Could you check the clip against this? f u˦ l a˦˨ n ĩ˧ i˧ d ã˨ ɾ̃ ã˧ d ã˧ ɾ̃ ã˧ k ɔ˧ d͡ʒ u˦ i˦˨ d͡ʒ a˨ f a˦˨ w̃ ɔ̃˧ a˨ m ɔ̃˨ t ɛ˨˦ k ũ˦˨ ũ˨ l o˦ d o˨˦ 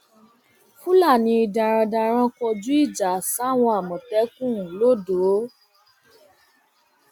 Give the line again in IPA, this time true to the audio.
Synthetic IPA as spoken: f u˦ l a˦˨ n ĩ˧ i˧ d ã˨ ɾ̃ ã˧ d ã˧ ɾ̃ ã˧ k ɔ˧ d͡ʒ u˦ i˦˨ d͡ʒ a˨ s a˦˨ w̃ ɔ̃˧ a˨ m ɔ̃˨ t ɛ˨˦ k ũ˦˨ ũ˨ l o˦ d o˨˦